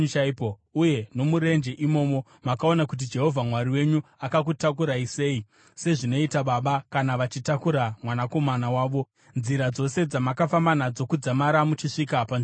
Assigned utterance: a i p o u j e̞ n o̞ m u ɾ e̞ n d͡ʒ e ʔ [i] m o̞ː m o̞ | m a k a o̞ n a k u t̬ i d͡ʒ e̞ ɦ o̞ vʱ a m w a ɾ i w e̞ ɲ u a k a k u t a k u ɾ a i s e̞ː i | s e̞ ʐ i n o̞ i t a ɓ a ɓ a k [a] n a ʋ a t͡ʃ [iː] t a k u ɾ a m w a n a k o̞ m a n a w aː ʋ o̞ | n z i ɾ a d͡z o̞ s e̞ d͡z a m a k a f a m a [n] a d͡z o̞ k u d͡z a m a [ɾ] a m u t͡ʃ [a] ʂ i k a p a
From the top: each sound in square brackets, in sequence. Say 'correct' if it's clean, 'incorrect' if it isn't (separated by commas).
correct, correct, incorrect, correct, correct, incorrect